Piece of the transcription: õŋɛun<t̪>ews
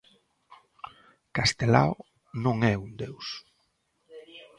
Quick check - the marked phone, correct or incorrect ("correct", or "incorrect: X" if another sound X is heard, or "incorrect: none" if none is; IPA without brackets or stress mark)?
incorrect: d̪